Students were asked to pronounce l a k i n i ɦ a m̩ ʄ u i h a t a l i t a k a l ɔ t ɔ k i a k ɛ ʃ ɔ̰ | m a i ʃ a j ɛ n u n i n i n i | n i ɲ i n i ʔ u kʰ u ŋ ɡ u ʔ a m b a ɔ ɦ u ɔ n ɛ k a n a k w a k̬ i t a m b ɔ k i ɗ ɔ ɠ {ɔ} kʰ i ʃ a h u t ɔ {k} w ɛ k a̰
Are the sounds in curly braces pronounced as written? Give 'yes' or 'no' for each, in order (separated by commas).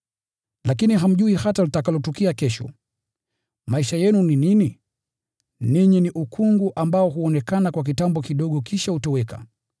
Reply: yes, no